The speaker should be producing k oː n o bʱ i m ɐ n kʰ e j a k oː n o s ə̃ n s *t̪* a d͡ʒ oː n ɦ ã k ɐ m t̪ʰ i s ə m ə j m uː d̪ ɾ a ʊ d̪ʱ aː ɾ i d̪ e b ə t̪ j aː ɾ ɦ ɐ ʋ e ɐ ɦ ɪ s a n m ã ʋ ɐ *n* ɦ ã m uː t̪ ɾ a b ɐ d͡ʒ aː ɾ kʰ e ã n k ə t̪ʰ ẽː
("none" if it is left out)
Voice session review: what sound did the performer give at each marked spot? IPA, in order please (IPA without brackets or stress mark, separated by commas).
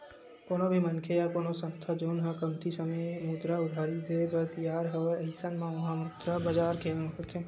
t̪ʰ, none